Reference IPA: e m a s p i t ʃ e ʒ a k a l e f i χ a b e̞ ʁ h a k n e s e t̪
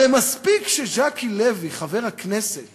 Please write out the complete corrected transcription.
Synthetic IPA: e m a s p i k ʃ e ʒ a k i l e v i χ a v e̞ ʁ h a k n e s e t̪